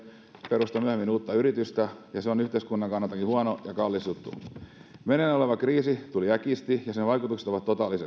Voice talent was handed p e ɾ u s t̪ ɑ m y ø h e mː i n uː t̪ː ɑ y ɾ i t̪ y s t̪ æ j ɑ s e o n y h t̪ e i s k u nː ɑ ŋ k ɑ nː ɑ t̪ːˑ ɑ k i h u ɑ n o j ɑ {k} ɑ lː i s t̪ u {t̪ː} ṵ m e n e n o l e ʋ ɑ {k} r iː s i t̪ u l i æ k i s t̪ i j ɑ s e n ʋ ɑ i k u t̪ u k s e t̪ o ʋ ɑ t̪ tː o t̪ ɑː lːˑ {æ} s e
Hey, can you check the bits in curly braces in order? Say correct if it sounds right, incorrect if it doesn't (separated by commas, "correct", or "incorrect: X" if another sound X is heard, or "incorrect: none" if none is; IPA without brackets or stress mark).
correct, correct, correct, incorrect: i